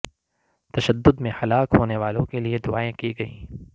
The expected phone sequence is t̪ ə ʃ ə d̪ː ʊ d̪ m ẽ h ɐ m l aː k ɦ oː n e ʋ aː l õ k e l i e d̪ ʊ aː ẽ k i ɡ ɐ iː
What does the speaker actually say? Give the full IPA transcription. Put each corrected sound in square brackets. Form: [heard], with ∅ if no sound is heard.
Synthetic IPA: t̪ [ɐ] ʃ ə d̪ː ʊ d̪ m ẽ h ɐ [∅] l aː k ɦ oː n e ʋ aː l õ k e l i e d̪ ʊ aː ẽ k i ɡ ɐ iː